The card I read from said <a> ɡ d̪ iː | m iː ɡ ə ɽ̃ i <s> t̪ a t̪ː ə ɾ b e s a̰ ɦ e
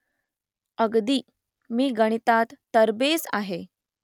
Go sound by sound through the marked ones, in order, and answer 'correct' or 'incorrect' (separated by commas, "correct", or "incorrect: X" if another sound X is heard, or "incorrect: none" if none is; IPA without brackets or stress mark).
incorrect: ə, incorrect: none